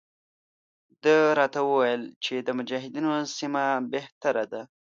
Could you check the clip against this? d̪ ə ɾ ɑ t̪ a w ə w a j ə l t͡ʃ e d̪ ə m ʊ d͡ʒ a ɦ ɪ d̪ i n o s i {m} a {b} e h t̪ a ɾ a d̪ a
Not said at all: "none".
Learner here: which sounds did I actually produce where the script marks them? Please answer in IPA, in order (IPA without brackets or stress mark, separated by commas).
m, b